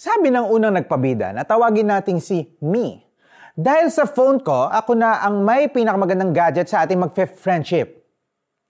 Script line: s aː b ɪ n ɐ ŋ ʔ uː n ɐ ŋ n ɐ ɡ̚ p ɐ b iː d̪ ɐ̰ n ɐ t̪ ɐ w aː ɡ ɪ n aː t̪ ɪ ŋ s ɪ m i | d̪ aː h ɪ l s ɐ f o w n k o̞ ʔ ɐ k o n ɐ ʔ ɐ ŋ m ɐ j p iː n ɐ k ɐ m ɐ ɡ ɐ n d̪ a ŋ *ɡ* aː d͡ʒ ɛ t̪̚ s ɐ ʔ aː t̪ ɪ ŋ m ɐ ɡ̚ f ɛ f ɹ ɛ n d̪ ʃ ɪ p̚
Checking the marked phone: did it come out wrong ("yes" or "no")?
no